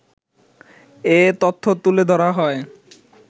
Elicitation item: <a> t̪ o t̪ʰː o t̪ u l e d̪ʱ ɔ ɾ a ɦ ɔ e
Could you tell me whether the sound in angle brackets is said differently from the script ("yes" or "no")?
yes